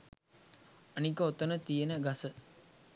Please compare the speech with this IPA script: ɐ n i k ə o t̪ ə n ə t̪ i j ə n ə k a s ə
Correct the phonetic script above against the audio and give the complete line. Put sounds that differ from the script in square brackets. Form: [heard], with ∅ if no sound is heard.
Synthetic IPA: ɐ n i k ə o t̪ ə n ə t̪ i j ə n ə [ɡ] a s ə